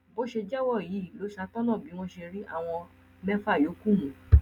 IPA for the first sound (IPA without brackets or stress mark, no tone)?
b